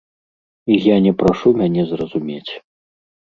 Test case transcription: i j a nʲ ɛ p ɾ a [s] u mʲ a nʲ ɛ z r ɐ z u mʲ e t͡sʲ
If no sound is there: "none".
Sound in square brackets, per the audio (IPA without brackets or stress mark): ʂ